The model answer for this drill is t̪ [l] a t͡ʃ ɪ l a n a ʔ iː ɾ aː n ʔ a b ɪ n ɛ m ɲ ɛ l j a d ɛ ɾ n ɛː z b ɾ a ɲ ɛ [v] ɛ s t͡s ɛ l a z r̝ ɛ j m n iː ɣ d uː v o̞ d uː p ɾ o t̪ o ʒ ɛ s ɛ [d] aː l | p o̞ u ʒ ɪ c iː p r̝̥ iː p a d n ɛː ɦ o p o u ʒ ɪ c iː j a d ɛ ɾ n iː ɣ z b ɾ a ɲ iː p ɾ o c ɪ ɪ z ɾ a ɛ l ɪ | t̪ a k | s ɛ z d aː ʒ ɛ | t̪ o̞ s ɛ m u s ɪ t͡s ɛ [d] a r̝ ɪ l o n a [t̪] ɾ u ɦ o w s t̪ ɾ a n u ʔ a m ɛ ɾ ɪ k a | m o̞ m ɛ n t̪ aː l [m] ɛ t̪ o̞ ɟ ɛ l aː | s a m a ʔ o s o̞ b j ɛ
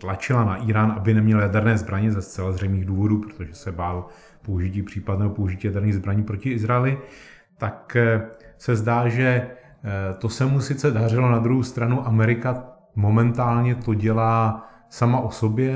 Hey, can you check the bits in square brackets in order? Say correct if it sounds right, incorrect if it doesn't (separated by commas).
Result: correct, incorrect, incorrect, correct, incorrect, incorrect